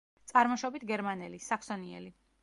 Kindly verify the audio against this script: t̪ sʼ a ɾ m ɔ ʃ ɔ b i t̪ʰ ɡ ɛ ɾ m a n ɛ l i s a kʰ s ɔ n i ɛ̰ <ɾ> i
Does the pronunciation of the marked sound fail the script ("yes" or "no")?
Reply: yes